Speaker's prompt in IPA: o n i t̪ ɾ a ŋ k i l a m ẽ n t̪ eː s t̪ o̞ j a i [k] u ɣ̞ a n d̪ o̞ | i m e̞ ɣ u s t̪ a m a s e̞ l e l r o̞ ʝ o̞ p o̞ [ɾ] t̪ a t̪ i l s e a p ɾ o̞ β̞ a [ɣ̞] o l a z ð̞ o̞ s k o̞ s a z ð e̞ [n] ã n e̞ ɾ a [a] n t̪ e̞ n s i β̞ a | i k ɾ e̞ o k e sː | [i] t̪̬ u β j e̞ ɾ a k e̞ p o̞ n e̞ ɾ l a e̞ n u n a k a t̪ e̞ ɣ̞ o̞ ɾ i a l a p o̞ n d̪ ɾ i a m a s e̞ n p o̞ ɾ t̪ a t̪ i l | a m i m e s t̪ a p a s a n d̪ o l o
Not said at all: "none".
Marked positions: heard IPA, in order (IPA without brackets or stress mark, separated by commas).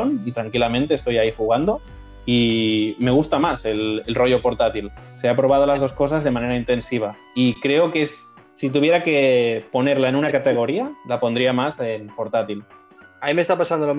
x, ɾ, ð̞, m, i, i